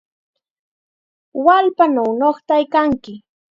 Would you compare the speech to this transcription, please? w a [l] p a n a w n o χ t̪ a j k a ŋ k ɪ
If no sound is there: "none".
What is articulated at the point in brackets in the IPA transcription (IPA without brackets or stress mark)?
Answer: l